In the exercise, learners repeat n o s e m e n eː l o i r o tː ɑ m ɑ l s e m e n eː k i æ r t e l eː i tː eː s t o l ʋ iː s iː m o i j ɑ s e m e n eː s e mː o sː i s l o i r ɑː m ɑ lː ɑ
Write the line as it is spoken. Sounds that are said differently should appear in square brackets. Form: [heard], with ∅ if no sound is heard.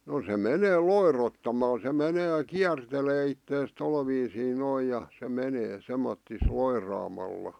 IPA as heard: n o s e m e n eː l o i r o tː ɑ m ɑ l s e m e n eː k i æ r t e l eː i tː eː s t o l ʋ iː s iː [n] o i j ɑ s e m e n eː s e mː o [tː] i s l o i r ɑː m ɑ lː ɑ